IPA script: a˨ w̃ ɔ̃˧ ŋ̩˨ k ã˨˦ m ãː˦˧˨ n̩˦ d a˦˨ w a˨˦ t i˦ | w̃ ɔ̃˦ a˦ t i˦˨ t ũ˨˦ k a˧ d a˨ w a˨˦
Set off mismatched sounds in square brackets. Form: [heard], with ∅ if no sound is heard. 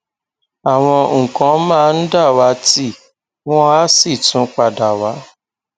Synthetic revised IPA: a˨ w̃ ɔ̃˧ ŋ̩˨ k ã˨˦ m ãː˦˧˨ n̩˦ d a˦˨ w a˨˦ t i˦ | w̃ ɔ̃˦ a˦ [s] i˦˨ t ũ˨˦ [k͡p] a˧ d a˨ w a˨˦